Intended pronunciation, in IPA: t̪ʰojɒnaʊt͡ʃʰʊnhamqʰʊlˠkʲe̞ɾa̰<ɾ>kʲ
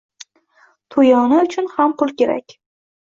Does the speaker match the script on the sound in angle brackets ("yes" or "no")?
no